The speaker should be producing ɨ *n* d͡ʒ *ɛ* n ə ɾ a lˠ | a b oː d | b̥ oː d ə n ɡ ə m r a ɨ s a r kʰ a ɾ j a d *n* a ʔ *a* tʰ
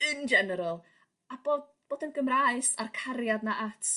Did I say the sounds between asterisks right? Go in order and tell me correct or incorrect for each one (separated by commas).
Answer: correct, correct, correct, correct